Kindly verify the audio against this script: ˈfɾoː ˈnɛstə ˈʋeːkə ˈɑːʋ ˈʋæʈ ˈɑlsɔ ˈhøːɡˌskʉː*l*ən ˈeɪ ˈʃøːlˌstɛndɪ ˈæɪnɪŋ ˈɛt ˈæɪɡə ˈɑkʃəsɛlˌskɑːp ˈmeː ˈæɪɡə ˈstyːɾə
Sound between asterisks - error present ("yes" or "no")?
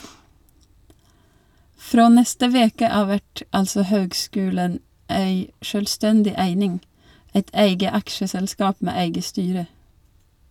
no